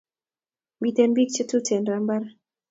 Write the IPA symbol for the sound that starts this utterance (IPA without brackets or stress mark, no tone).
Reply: m